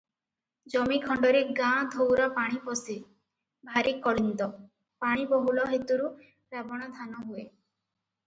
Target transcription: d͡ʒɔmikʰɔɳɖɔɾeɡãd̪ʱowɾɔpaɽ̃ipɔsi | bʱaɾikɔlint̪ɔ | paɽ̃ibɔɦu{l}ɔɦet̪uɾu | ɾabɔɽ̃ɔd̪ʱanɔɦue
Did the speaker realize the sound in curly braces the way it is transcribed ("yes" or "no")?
yes